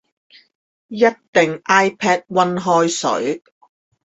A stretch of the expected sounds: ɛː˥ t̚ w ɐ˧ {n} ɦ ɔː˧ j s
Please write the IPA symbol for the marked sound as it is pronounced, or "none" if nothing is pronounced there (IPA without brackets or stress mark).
n